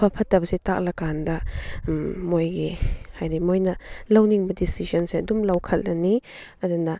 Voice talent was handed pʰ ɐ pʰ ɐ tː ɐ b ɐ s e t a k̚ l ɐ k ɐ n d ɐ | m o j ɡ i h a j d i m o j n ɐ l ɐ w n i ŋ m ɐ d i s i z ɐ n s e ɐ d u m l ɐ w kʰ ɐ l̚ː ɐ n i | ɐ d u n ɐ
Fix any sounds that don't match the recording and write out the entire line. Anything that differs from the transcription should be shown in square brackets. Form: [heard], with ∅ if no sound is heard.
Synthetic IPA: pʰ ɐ pʰ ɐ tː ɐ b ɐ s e t a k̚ l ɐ k [a] n d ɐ | m o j ɡ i h a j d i m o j n ɐ l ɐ w n i ŋ [b] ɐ d i s i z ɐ n s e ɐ d u m l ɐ w kʰ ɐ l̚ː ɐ n i | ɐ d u n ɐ